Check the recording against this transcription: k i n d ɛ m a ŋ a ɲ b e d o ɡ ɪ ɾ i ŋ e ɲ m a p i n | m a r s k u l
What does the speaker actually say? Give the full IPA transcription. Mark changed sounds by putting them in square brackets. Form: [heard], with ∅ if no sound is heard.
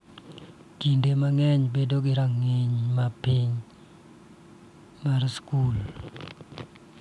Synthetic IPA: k i n d [e] m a ŋ [ɛ] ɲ b e d o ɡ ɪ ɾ [a] ŋ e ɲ m a p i [ɲ] | m a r s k u l